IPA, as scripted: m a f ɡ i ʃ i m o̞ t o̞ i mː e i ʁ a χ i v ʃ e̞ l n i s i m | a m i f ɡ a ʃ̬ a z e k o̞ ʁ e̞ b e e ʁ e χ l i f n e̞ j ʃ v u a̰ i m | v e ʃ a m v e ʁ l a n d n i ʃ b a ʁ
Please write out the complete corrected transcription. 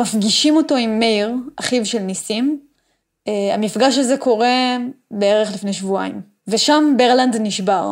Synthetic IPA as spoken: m a f ɡ i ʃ i m o̞ t o̞ i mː e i ʁ a χ i v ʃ e̞ l n i s i m | a m i f ɡ a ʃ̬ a z e k o̞ ʁ e̞ b e e ʁ e χ l i f n e̞ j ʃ v u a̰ i m | v e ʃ a m b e ʁ l a n d n i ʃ b a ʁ